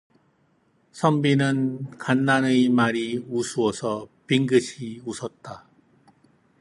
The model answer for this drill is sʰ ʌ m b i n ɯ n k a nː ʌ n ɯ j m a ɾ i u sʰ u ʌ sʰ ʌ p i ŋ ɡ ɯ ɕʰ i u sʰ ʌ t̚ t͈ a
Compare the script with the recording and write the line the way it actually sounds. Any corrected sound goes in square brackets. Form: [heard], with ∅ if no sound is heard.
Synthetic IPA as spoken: sʰ ʌ m b i n ɯ n k a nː [a] n ɯ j m a ɾ i u sʰ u ʌ sʰ ʌ p i ŋ ɡ ɯ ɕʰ i u sʰ ʌ t̚ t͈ a